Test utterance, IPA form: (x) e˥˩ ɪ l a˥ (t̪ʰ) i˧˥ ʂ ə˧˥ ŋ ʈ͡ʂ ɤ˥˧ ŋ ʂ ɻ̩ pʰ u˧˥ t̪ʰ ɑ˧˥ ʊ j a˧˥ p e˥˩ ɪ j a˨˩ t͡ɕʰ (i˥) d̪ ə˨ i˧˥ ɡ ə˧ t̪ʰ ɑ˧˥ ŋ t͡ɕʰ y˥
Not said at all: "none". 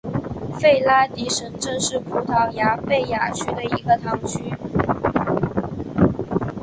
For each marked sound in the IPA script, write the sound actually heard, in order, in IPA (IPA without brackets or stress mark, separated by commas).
f, t̪, y˥